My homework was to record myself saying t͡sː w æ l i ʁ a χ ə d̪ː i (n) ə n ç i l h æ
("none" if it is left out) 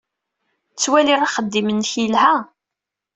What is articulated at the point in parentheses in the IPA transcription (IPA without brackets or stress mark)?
m